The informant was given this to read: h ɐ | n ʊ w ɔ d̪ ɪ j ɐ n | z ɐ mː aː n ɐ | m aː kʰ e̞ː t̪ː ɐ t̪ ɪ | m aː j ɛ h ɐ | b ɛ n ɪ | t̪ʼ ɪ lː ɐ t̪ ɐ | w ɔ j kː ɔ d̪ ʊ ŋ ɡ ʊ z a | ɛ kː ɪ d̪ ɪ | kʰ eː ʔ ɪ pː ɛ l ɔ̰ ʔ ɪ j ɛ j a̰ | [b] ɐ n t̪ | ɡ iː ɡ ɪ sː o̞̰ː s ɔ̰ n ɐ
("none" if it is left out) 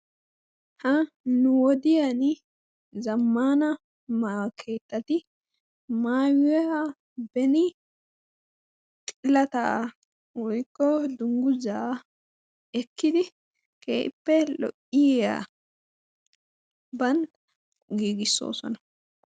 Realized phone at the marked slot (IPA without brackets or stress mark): b